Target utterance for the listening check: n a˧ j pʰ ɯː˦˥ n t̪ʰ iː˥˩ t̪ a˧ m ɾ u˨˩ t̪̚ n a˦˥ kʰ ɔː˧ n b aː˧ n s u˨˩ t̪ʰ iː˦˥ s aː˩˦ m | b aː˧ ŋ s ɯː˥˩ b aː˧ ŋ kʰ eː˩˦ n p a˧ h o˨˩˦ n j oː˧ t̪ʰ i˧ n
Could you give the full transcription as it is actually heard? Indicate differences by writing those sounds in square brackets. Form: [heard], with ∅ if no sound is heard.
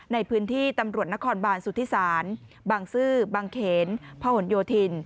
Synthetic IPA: n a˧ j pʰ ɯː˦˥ n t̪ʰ iː˥˩ t̪ a˧ m ɾ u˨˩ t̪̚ n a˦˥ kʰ ɔː˧ n b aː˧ n s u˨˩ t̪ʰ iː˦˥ s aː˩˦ [n] | b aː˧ ŋ s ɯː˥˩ b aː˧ ŋ kʰ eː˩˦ n [pʰ] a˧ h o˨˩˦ n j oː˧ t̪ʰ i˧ n